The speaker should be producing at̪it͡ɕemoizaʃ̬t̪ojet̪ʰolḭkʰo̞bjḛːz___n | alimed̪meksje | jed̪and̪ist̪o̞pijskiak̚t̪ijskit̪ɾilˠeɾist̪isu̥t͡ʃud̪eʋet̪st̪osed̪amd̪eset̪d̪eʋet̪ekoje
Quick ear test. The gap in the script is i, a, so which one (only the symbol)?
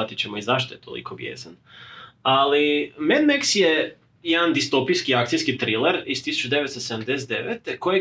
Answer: a